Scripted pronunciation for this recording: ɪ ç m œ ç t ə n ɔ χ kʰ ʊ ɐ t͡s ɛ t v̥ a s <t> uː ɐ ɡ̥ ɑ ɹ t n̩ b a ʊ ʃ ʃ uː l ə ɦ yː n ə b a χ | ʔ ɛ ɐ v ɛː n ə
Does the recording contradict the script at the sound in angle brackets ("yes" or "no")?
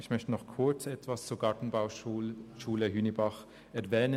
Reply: yes